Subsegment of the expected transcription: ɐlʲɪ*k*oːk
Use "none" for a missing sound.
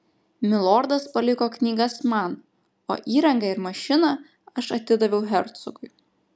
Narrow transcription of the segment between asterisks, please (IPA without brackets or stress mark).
k